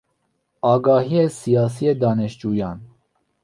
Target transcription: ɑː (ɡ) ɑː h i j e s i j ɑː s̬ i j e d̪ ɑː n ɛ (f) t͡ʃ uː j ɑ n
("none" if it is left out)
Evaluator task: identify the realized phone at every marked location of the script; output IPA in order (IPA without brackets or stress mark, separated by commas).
ɡ, ʃ